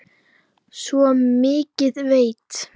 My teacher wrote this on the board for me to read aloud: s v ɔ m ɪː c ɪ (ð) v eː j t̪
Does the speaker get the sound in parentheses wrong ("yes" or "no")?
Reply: no